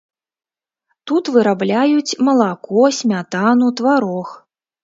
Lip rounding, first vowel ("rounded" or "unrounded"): rounded